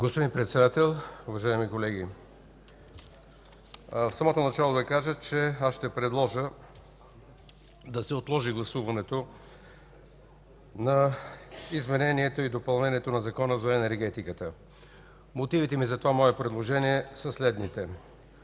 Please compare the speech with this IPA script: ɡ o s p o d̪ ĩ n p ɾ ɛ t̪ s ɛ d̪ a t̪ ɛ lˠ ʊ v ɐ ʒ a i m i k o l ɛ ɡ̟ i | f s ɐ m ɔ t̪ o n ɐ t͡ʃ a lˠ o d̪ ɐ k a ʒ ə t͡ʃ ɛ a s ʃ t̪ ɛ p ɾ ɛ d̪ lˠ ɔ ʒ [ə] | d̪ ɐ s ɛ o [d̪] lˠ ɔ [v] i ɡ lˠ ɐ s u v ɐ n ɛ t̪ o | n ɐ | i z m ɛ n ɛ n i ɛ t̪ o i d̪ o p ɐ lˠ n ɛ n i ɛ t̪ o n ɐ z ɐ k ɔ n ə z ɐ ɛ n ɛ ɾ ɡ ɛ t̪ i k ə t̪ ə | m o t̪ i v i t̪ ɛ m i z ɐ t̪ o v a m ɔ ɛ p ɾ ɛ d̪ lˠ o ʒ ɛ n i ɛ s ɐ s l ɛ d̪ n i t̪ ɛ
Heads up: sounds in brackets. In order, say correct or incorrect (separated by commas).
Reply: correct, incorrect, incorrect